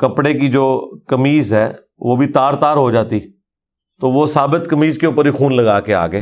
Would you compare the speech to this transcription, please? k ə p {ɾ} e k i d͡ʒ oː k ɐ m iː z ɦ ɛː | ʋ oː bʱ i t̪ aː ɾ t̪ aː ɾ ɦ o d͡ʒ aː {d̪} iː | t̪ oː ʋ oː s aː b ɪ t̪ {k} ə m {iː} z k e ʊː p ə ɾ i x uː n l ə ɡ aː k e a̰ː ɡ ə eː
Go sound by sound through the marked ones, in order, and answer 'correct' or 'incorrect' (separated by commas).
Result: incorrect, incorrect, correct, correct